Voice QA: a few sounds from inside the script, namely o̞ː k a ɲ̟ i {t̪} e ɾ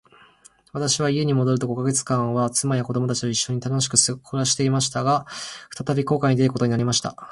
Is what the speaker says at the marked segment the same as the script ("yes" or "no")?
no